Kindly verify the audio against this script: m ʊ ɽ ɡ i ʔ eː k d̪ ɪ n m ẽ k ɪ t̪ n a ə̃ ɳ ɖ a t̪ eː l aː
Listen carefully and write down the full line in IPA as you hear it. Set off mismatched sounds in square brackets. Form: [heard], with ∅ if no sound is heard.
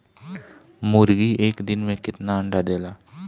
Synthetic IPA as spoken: m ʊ [ɾ] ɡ i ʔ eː k d̪ ɪ n m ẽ k ɪ t̪ n a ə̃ ɳ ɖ a [d̪] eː l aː